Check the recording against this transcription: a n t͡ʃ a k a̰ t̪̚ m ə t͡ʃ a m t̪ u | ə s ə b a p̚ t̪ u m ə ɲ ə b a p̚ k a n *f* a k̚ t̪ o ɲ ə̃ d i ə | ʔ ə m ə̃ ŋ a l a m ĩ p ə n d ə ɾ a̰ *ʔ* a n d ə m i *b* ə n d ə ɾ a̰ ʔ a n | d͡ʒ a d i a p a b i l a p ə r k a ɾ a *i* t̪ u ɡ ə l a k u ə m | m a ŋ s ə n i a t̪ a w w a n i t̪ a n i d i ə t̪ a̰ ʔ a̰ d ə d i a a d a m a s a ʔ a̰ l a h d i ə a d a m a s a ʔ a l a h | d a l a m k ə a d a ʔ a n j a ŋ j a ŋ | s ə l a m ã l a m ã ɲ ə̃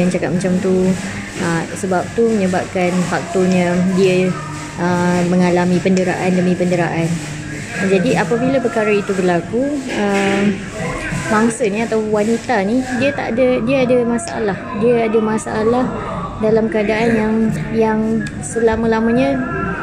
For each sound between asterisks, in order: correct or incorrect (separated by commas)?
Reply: correct, correct, incorrect, correct